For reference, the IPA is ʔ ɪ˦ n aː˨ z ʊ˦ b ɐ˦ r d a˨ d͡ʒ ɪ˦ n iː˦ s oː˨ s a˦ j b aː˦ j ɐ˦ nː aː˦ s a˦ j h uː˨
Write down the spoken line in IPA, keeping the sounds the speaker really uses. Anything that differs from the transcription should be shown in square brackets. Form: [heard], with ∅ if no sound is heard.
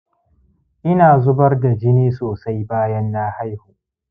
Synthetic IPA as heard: ʔ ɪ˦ n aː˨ z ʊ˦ b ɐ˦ r d a˨ d͡ʒ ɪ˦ n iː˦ s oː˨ s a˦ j b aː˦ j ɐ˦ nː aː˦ [h] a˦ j h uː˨